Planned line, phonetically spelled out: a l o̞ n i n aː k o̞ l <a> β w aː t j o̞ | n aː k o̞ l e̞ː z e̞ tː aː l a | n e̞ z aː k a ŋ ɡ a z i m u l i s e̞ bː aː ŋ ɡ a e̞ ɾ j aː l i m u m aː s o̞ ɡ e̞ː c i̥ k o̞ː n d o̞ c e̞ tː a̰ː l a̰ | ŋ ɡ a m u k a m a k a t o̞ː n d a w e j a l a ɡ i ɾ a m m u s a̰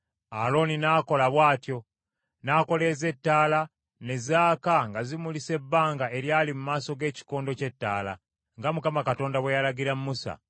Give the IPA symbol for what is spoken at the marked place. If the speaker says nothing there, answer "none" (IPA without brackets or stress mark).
a